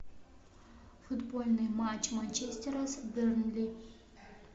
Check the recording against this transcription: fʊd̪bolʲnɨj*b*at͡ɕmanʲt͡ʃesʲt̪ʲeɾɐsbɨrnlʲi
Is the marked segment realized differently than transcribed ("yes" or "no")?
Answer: yes